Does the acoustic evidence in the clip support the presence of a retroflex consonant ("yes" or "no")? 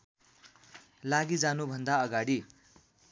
yes